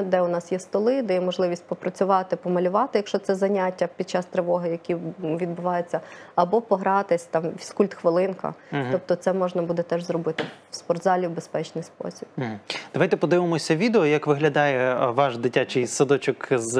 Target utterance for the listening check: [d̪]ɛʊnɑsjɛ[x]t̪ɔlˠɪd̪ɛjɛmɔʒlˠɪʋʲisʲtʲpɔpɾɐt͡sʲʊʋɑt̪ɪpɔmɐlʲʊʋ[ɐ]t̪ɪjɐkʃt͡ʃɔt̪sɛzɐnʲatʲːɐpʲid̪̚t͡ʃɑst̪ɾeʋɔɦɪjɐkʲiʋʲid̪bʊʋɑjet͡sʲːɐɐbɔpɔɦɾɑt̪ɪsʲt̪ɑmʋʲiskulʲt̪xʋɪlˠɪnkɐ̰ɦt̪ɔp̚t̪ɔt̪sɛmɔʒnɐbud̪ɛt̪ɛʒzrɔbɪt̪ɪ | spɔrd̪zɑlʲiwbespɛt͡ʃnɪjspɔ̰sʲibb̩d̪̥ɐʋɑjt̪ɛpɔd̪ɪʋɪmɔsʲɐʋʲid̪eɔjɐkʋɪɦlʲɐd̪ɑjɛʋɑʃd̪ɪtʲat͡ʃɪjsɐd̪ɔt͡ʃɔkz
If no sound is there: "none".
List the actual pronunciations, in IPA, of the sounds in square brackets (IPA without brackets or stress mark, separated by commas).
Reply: d̪, s, ɑ